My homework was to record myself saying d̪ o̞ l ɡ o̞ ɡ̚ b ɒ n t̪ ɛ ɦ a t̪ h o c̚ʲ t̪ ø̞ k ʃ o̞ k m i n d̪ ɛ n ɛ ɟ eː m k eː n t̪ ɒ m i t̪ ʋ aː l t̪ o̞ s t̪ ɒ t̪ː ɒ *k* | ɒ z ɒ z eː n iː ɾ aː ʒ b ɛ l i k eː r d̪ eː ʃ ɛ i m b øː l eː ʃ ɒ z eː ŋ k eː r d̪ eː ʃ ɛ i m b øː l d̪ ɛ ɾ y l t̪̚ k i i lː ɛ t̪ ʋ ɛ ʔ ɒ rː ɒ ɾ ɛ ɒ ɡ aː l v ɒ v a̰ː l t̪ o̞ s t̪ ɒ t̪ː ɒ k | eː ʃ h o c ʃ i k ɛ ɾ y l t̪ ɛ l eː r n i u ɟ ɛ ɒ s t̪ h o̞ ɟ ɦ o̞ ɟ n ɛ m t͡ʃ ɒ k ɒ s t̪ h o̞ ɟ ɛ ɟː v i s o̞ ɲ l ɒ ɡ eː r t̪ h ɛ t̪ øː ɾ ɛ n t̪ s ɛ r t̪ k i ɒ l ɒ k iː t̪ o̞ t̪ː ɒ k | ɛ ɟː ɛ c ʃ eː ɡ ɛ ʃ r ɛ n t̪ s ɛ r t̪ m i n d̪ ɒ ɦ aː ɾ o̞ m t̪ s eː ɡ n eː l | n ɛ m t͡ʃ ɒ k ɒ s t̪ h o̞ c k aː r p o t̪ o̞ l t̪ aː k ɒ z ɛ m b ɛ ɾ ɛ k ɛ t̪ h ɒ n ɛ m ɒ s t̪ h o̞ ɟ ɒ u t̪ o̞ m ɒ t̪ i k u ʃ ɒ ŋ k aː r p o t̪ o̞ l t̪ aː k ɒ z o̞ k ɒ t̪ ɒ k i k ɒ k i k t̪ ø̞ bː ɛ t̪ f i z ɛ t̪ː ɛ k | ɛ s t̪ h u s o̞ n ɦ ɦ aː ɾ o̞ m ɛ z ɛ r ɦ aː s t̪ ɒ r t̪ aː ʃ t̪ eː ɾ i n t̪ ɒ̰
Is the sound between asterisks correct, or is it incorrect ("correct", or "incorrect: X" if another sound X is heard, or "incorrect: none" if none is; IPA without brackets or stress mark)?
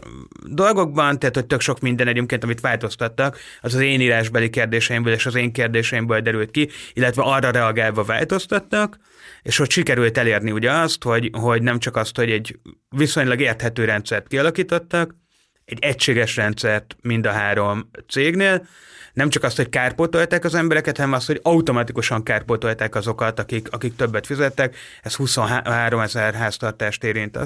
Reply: correct